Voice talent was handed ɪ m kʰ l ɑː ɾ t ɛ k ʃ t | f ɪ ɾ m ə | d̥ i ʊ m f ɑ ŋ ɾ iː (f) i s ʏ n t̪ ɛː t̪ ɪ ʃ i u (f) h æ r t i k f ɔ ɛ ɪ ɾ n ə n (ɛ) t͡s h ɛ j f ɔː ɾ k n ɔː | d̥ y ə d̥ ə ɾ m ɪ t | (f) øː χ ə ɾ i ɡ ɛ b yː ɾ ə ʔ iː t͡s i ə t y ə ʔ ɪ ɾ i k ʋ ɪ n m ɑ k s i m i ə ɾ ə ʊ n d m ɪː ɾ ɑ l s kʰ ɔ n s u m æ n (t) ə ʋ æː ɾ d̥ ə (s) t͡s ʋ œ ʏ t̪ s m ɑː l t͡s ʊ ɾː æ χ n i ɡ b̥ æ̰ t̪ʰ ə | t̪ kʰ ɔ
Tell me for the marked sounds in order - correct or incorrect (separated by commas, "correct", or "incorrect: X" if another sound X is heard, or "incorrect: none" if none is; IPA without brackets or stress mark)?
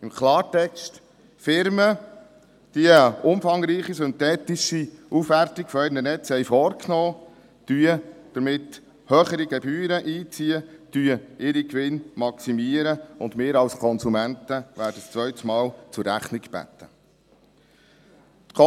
incorrect: χ, correct, correct, incorrect: h, correct, correct